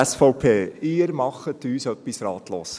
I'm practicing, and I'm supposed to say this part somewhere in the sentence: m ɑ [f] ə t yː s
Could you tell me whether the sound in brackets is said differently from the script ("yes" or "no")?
yes